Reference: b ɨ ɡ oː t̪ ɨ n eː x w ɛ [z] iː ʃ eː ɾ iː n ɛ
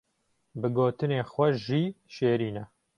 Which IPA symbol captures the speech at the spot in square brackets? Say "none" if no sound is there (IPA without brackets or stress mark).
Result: ʒ